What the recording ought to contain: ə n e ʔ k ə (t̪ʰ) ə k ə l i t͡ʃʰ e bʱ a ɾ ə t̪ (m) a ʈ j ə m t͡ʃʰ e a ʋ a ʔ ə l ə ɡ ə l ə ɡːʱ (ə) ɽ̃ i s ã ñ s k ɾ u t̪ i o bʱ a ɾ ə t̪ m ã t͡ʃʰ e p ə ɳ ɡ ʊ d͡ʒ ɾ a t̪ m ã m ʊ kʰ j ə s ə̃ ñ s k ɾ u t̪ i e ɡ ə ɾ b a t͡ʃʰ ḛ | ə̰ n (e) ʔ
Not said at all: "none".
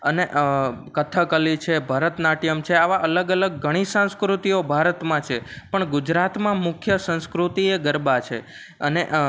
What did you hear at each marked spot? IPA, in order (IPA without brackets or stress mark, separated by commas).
t̪ʰ, n, ə, e